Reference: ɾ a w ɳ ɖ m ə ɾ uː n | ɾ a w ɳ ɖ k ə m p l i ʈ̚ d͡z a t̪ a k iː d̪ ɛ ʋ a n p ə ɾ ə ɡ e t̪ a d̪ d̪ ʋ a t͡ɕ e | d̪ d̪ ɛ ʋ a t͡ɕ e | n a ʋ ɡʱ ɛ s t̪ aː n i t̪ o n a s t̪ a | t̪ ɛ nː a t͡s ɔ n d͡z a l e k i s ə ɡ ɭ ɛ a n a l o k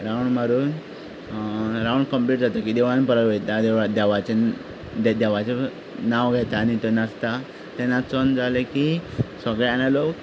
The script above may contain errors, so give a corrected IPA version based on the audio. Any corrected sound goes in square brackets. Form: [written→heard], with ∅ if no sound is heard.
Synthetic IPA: ɾ a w ɳ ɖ m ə ɾ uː n | ɾ a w ɳ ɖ k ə m p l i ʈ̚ d͡z a t̪ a k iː d̪ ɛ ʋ a n p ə ɾ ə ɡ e t̪ a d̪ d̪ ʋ a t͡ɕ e | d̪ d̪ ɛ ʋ a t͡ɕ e | n a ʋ ɡʱ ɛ [s→∅] t̪ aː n i t̪ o n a s t̪ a | t̪ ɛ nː a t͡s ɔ n d͡z a l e k i s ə ɡ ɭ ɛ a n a l o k